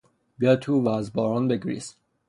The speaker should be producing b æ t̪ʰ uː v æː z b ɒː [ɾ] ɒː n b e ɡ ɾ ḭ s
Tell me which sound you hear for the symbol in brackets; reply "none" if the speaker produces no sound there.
ɾ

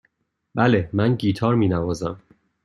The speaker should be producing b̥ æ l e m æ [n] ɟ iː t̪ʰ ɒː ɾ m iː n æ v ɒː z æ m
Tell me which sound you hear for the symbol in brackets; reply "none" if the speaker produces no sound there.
n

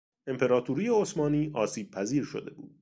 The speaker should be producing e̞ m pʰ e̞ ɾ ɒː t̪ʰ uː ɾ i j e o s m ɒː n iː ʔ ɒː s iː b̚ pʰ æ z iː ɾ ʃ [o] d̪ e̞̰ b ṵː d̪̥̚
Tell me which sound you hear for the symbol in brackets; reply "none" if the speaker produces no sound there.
o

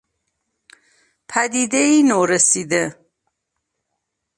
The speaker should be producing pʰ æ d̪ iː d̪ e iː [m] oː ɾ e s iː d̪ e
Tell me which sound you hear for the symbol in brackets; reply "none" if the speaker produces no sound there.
n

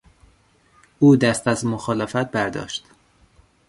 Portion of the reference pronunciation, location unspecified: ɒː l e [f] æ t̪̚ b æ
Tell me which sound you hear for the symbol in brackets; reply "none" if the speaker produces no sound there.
f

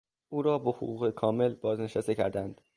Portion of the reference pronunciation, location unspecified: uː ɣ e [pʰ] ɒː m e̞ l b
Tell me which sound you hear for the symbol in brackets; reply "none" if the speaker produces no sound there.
kʰ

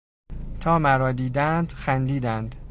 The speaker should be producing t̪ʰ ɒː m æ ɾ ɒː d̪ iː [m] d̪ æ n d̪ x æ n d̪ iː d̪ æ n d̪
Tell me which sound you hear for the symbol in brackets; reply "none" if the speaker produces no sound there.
none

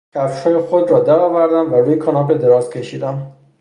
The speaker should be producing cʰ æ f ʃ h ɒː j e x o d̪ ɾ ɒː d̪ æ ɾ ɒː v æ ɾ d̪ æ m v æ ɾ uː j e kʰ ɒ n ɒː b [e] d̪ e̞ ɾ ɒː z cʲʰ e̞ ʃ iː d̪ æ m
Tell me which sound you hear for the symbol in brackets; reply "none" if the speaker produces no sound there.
e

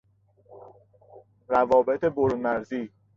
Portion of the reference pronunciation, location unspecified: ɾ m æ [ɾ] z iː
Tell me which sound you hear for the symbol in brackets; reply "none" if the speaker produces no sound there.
ɾ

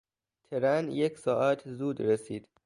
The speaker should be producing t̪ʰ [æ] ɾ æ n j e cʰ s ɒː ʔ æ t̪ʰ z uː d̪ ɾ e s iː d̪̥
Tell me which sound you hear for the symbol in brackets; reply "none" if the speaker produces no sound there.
e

